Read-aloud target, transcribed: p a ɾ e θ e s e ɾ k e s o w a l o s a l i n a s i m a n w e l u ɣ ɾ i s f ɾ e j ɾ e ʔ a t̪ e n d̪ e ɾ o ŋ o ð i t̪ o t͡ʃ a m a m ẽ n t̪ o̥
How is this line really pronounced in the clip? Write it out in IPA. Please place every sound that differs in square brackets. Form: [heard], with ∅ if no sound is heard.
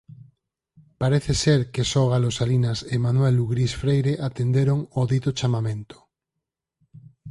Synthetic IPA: p a ɾ e θ e s e ɾ k e s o [ɣ] a l o s a l i n a s [e] m a n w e l u ɣ ɾ i s f ɾ e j ɾ e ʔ a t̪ e n d̪ e ɾ o ŋ o ð i t̪ o t͡ʃ a m a m ẽ n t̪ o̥